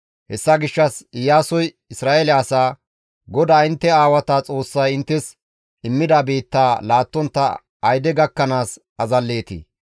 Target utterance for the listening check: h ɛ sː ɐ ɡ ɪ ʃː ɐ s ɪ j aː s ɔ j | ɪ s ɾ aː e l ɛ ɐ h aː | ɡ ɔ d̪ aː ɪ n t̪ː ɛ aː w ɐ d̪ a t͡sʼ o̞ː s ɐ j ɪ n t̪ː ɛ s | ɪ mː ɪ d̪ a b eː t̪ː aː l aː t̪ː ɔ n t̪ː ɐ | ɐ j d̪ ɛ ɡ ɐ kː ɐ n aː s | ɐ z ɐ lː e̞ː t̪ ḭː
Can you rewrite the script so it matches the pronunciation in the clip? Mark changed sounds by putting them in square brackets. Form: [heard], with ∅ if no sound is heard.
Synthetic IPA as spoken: h ɛ sː ɐ ɡ ɪ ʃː ɐ s ɪ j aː s ɔ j | ɪ s ɾ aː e l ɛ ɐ [s] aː | ɡ ɔ d̪ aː ɪ n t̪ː ɛ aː w ɐ [t̪] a t͡sʼ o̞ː [sː] ɐ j ɪ n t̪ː ɛ s | ɪ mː ɪ d̪ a b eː t̪ː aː l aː t̪ː ɔ n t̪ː ɐ | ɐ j d̪ ɛ ɡ ɐ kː ɐ n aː s | ɐ z ɐ lː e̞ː t̪ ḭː